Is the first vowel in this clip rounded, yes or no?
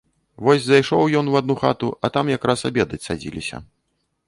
yes